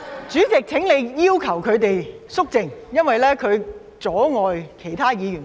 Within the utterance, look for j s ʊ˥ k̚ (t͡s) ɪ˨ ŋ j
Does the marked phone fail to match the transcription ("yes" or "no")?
no